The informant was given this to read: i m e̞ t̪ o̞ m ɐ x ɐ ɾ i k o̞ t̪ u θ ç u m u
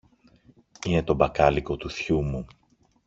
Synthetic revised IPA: i n e̞ t̪ o̞ b ɐ k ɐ l i k o̞ t̪ u θ ç u m u